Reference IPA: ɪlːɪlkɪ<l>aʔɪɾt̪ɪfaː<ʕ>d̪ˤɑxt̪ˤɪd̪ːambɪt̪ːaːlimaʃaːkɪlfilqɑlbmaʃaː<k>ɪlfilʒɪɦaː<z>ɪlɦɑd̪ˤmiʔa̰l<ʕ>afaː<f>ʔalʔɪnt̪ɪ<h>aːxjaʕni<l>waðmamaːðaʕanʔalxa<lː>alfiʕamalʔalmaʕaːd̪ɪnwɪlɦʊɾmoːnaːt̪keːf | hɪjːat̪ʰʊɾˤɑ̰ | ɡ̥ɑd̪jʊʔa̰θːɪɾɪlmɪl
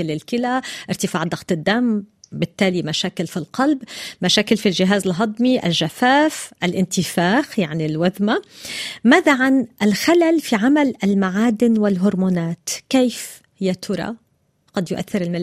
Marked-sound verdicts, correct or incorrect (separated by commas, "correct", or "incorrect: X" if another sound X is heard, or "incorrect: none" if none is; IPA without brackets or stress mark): correct, correct, correct, correct, incorrect: ʒ, correct, incorrect: f, correct, incorrect: l